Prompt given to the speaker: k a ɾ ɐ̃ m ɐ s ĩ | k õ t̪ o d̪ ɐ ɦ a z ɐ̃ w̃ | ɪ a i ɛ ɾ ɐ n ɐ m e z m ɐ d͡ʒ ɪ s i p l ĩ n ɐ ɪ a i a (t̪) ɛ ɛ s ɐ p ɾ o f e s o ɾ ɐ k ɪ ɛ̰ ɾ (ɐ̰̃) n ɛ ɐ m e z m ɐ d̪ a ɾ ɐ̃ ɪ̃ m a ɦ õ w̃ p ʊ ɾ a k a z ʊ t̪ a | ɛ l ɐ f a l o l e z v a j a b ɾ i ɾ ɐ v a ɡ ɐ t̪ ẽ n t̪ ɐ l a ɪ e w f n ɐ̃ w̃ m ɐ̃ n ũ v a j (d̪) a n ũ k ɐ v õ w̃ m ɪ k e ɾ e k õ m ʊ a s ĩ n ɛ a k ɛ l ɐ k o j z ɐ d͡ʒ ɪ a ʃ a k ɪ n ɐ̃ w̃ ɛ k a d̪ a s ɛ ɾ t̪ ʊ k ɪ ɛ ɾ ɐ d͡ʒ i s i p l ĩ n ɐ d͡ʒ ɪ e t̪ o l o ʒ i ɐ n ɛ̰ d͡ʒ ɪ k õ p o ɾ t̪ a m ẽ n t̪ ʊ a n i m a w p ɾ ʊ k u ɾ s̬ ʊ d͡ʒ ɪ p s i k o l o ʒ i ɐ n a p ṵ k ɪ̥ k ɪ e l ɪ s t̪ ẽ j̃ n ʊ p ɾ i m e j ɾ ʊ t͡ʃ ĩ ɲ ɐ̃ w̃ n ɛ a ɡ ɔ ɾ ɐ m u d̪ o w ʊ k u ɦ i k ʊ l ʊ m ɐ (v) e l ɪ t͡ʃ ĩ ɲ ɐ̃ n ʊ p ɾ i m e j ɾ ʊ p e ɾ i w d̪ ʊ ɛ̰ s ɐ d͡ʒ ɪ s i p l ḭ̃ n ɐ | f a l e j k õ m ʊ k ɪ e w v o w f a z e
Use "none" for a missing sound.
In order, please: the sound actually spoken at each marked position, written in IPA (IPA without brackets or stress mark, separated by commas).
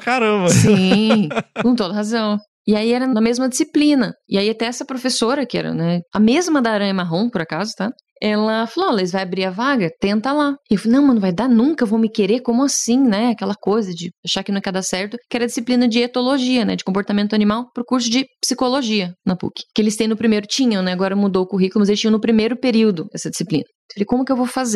t̪, ɐ̰, d̪, z